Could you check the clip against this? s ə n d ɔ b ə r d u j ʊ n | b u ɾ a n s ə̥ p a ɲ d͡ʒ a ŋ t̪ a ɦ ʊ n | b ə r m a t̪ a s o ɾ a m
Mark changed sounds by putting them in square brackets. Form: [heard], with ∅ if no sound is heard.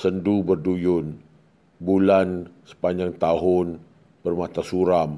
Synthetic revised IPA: s ə n d [u] b ə r d u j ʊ n | b u [l] a n s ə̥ p a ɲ d͡ʒ a ŋ t̪ a ɦ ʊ n | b ə r m a t̪ a s [u] ɾ a m